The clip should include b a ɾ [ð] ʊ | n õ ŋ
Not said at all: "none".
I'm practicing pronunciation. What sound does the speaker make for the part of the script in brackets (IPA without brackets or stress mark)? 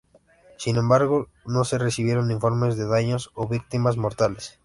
ɣ